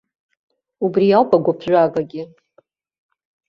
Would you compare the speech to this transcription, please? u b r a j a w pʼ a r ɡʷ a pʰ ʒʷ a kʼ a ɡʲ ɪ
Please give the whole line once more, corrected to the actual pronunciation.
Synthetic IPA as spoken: u b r i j a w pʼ a ɡʷ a pʰ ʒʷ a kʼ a ɡʲ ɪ

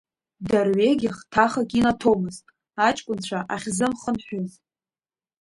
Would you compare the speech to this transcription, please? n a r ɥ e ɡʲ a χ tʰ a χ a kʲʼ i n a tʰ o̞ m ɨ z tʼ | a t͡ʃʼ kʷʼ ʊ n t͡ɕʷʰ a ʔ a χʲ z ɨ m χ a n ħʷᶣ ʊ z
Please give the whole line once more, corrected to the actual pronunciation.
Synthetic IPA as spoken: d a r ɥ e ɡʲ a χ tʰ a χ a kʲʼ i n a tʰ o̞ m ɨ z tʼ | a t͡ʃʼ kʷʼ ʊ n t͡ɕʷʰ a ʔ a χʲ z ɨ m χ ə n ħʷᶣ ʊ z

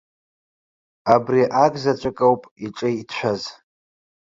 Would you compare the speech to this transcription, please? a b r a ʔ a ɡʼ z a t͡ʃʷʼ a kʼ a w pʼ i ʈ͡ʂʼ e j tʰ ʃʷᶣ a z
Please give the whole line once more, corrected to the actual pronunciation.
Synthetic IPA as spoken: a b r i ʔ a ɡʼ z a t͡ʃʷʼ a kʼ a w pʼ i ʈ͡ʂʼ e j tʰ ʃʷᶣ a z

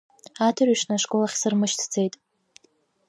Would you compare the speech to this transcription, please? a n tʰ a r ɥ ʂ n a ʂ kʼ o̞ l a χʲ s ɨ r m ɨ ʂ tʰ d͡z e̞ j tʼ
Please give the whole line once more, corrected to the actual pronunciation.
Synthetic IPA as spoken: a tʰ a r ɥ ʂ n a ʂ kʼ o̞ l a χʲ s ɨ r m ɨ ʃ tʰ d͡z e̞ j tʼ

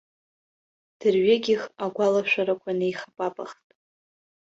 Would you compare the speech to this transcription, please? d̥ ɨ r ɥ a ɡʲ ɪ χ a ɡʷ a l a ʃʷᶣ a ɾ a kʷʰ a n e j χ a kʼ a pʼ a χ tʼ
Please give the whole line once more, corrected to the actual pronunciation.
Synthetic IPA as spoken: d̥ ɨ r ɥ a ɡʲ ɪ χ a ɡʷ a l a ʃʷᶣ a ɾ a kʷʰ a n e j χ a pʼ a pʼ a χ tʼ

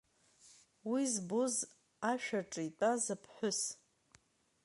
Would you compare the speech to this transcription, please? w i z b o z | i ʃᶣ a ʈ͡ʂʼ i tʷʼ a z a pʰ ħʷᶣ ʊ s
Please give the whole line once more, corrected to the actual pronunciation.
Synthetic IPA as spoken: w i z b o z | a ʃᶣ a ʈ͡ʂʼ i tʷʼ a z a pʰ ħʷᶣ ʊ s

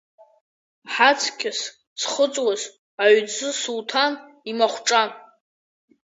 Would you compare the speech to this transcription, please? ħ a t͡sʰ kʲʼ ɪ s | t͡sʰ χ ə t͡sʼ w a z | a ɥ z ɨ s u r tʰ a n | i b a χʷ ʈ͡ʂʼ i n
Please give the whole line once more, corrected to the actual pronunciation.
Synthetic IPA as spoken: ħ a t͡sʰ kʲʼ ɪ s | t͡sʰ χ ə t͡sʼ w a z | a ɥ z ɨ s u l tʰ a n | i m a χʷ ʈ͡ʂʼ a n

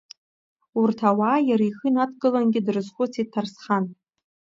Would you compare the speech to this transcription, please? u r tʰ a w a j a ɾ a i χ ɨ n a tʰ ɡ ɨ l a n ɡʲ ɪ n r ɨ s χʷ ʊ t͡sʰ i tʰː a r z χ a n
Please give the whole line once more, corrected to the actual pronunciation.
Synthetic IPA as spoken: u r tʰ a w a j a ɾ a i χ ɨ n a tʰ ɡ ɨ l a n ɡʲ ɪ d r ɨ z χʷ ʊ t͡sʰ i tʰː a r s χ a n

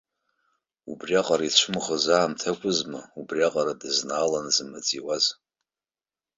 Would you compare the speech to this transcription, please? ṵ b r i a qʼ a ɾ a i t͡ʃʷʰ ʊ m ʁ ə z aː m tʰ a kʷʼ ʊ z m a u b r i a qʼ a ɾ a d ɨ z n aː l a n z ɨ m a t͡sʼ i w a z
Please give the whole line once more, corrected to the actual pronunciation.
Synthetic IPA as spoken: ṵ b r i a qʼ a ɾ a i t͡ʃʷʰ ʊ m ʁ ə z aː m tʰ a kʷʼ ʊ z m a u b r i a qʼ a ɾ a d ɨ z n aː l a n z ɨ m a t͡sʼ i w a z

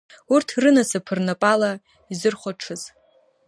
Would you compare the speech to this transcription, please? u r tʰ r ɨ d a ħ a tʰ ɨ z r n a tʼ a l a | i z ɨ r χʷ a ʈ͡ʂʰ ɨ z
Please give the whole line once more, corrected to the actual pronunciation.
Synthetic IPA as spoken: u r tʰ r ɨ n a s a pʰ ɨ r n a pʼ a l a | i z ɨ r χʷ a ʈ͡ʂʰ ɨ z

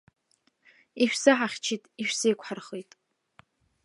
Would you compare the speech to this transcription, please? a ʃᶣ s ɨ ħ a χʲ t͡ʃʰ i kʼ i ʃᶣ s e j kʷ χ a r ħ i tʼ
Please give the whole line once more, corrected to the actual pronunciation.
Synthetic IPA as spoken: i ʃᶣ s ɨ ħ a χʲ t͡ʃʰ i tʼ i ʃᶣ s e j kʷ ħ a r χ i tʼ

